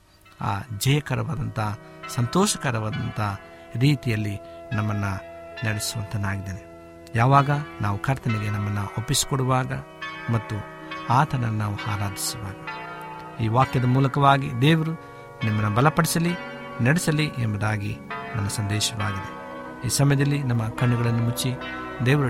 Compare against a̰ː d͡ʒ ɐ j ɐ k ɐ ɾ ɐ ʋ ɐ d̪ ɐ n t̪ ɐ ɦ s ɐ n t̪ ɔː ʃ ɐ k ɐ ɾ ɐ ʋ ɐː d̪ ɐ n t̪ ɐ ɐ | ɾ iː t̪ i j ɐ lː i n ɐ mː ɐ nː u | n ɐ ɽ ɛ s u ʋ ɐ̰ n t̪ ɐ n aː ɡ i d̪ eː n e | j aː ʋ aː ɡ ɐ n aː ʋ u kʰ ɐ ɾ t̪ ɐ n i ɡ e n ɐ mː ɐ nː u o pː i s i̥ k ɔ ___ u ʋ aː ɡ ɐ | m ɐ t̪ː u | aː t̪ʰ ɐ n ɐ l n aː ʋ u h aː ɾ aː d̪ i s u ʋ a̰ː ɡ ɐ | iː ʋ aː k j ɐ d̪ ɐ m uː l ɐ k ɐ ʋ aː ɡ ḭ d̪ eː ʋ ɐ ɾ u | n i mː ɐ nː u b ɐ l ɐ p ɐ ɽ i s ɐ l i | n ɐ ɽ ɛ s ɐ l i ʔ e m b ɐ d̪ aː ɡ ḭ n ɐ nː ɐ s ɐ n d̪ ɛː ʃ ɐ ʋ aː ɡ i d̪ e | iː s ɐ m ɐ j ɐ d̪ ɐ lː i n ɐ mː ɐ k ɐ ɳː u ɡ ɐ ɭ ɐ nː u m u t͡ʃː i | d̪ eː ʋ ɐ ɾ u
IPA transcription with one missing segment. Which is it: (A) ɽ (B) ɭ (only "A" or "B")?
A